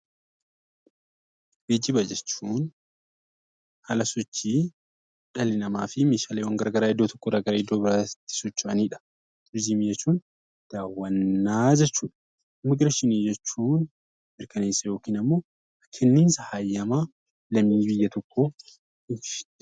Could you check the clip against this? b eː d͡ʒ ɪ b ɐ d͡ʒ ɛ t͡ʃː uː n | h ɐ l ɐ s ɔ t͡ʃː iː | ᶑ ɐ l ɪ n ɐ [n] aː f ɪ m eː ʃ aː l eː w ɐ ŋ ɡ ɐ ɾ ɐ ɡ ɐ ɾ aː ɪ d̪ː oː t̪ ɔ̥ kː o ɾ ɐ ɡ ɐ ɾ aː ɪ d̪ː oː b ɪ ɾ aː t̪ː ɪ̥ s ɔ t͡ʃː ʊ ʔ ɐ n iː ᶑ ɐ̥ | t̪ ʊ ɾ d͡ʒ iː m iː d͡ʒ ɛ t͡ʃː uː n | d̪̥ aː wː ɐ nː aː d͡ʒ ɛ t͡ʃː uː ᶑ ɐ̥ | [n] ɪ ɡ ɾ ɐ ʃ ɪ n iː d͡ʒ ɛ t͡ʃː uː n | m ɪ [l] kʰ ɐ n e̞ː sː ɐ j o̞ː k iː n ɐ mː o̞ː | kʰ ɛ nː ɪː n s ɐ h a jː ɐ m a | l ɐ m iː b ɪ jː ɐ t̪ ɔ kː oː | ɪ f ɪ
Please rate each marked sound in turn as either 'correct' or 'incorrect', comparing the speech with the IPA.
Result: incorrect, incorrect, incorrect

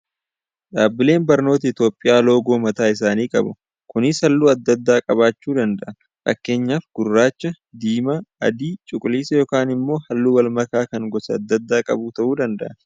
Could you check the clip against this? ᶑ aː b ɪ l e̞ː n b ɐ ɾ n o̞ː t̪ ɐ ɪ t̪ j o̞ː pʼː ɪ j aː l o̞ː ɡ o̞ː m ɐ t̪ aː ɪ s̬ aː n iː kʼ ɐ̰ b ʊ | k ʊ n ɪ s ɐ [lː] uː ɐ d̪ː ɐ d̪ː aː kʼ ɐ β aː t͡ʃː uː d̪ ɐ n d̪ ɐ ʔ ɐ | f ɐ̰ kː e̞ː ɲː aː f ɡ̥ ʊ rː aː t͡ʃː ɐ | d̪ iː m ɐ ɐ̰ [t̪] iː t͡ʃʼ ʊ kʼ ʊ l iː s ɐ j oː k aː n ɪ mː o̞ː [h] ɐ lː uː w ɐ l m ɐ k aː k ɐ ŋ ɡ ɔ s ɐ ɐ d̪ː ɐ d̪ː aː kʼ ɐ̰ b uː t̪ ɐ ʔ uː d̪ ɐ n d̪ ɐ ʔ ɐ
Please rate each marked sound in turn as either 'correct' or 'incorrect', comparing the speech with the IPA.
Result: correct, incorrect, correct

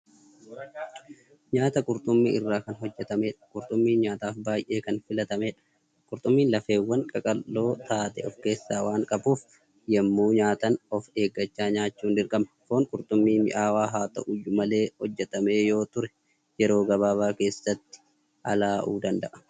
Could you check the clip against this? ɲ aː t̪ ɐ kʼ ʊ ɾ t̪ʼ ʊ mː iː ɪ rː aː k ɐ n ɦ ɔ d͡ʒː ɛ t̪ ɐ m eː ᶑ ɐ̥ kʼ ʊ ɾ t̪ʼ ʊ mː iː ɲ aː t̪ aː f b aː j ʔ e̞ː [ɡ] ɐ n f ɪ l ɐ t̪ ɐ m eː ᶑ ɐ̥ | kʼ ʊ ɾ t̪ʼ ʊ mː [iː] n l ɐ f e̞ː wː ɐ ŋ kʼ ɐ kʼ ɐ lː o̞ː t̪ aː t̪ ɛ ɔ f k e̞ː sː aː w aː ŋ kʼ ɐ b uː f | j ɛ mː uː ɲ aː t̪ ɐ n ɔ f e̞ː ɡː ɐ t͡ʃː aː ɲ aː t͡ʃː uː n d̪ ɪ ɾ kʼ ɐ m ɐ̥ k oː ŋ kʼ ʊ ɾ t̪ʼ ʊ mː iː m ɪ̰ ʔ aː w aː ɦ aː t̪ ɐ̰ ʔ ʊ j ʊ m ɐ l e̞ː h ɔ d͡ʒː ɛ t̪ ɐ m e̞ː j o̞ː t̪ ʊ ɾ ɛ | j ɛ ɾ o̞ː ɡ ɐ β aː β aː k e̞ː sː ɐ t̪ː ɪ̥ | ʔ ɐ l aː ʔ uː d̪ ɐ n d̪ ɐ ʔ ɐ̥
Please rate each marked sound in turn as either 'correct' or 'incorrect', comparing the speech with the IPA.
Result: incorrect, correct

